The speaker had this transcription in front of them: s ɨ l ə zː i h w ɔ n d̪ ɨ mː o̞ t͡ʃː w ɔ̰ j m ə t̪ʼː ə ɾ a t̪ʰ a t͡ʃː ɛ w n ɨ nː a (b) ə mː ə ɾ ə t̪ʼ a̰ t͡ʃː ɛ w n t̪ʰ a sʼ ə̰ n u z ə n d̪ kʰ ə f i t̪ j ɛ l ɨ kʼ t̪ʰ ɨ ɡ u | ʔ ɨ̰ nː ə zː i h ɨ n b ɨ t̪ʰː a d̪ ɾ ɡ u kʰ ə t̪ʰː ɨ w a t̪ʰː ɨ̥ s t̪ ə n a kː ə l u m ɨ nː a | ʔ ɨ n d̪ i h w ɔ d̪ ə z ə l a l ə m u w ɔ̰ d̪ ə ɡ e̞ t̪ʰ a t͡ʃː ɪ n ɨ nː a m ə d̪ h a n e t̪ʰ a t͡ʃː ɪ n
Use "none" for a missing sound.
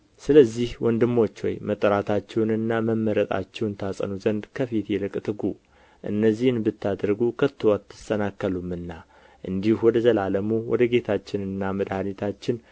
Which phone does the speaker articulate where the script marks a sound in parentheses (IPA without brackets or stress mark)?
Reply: m